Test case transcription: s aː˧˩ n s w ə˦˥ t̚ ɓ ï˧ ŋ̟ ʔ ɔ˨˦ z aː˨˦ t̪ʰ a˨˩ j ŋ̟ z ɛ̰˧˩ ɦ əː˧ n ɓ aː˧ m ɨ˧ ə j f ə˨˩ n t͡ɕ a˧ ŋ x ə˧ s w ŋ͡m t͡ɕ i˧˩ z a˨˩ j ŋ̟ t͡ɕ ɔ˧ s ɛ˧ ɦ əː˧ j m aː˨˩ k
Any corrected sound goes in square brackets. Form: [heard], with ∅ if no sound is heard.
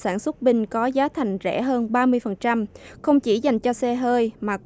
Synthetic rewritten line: s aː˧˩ n s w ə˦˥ t̚ ɓ ï˧ ŋ̟ [k] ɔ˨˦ z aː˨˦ t̪ʰ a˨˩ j ŋ̟ z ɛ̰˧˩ ɦ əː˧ n ɓ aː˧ m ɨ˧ ə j f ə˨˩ n t͡ɕ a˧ [m] x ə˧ [∅] w ŋ͡m t͡ɕ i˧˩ z a˨˩ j ŋ̟ t͡ɕ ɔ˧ s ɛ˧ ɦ əː˧ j m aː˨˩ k